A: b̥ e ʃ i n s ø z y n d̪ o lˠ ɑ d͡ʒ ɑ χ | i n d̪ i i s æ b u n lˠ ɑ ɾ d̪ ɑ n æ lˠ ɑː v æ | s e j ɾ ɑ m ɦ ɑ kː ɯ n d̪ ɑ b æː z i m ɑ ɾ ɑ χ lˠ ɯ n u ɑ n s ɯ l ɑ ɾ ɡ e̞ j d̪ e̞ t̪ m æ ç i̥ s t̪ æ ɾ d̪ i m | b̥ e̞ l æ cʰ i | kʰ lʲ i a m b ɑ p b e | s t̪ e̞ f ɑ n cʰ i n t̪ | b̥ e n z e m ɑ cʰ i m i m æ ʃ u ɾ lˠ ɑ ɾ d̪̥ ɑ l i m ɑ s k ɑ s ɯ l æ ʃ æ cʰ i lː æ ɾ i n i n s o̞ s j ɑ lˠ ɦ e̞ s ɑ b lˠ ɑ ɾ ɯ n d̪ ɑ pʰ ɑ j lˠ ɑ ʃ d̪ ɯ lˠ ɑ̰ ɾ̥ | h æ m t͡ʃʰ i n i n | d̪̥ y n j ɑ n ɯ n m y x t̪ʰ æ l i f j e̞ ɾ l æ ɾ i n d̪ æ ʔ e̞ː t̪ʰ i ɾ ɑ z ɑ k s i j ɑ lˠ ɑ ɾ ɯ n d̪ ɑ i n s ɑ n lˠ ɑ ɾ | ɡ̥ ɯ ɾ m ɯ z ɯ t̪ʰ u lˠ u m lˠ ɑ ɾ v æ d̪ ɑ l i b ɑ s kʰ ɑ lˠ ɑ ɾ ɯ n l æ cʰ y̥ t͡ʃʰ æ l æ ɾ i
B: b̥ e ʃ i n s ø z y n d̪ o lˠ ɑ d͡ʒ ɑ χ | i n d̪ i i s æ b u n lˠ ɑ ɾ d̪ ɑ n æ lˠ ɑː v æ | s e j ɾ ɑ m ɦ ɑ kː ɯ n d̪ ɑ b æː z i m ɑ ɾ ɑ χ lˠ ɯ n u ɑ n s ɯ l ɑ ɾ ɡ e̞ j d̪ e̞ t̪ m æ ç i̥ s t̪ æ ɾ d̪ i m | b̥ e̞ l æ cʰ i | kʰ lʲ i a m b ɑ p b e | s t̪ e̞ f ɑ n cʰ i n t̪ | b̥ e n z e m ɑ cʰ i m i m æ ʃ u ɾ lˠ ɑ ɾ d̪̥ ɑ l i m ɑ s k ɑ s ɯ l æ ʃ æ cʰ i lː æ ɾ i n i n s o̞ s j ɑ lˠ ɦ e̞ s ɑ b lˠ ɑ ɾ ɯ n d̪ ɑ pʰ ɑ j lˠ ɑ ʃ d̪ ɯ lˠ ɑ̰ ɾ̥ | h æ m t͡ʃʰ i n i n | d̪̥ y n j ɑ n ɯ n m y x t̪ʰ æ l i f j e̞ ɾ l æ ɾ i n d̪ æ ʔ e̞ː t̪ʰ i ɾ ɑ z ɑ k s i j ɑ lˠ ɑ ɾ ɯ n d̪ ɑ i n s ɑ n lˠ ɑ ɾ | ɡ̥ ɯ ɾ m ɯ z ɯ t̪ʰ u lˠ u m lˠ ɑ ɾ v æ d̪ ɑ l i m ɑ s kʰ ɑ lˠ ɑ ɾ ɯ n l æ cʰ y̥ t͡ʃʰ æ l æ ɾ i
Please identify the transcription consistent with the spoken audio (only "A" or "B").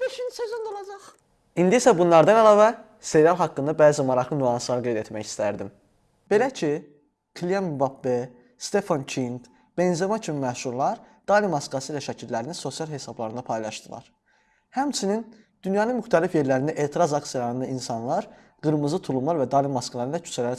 B